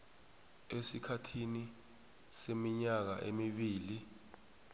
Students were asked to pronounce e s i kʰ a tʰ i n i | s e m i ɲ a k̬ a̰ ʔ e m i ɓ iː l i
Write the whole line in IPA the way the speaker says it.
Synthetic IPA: e s i kʰ a tʰ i n i | s e m i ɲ a k̬ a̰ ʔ e m i ɓ iː l i